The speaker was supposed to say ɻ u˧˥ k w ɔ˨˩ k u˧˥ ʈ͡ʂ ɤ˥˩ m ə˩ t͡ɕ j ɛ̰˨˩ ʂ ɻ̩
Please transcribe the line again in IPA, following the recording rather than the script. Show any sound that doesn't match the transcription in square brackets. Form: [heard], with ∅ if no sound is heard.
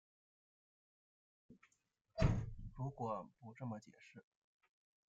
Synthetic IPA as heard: ɻ u˧˥ k w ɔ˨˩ [p] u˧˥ ʈ͡ʂ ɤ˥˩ m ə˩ t͡ɕ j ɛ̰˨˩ ʂ ɻ̩